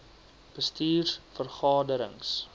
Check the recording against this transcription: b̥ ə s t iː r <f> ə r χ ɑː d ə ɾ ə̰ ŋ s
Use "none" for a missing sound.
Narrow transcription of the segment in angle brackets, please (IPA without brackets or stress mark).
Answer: f